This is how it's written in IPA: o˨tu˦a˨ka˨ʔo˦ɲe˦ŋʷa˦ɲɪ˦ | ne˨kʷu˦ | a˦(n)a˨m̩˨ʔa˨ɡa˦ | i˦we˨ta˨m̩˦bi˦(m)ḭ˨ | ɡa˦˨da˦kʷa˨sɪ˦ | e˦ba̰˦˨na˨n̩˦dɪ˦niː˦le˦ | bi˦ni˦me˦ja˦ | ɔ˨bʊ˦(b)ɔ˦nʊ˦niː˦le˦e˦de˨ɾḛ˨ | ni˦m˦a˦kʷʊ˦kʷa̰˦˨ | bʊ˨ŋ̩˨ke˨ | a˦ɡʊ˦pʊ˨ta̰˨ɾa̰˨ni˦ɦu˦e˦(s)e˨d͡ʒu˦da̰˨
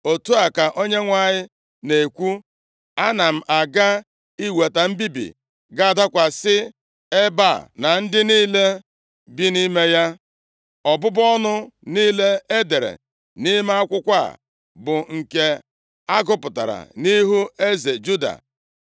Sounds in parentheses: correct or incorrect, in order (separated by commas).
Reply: correct, incorrect, correct, incorrect